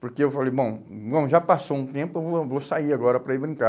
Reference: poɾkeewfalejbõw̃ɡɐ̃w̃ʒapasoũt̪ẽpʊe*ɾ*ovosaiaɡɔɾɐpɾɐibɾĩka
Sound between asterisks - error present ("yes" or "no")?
yes